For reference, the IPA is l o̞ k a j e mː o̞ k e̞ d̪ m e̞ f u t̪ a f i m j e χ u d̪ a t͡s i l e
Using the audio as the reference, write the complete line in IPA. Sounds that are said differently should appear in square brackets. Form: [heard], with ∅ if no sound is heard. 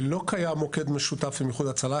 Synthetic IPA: l o̞ k a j [a] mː o̞ k e̞ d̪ m e̞ [ʃ] u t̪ a f i m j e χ u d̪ a t͡s [a] l [a]